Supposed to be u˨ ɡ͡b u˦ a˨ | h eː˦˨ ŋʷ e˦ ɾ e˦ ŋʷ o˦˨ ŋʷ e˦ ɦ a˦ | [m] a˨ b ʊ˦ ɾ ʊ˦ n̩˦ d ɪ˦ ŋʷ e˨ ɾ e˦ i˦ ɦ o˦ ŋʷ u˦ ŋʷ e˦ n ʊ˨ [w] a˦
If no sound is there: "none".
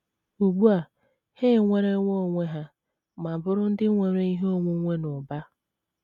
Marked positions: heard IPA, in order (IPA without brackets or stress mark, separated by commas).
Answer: m, b